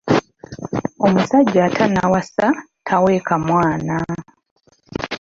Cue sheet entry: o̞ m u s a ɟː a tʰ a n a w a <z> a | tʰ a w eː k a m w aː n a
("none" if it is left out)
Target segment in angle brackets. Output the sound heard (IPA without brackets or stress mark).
s